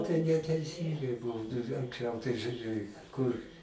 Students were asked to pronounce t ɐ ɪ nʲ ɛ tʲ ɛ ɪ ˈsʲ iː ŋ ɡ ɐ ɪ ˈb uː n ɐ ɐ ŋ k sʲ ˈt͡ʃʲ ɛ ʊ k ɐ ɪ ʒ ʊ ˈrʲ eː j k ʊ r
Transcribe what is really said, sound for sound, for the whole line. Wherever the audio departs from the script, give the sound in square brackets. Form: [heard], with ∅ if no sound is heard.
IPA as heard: t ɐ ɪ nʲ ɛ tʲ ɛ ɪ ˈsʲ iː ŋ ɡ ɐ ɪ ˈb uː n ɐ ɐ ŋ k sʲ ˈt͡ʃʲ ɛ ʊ [t] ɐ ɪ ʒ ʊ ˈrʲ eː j k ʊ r